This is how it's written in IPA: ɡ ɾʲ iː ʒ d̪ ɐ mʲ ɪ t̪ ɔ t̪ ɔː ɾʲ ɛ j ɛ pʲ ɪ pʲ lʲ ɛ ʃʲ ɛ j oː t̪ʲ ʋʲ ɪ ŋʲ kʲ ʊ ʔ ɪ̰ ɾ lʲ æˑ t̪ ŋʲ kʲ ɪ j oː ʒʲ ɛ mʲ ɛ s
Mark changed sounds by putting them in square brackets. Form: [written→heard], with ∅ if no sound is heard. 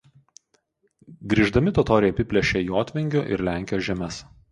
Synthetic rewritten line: ɡ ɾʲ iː ʒ d̪ ɐ mʲ ɪ t̪ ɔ t̪ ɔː ɾʲ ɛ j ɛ pʲ ɪ pʲ lʲ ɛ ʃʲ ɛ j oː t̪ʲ ʋʲ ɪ ŋʲ [kʲ→ɡʲ] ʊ ʔ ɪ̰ ɾ lʲ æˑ [t̪→∅] ŋʲ kʲ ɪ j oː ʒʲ ɛ mʲ ɛ s